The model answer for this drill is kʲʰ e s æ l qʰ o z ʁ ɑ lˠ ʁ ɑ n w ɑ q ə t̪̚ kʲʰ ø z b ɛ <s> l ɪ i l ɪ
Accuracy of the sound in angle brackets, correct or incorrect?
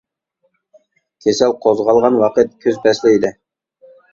correct